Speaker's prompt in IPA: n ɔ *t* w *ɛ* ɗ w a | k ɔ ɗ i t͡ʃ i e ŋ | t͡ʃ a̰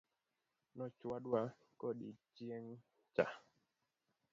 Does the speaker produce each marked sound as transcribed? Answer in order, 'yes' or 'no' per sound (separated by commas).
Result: no, no